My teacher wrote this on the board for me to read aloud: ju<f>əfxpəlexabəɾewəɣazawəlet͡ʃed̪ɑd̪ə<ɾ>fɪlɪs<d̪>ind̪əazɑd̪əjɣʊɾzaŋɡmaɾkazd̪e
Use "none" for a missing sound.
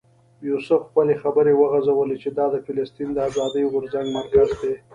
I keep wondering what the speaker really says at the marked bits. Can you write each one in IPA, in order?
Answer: s, none, t̪

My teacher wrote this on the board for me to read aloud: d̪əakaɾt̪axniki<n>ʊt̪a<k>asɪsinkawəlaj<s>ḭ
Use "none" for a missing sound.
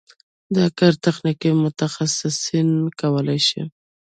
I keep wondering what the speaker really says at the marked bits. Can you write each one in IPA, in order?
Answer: m, x, ʃ

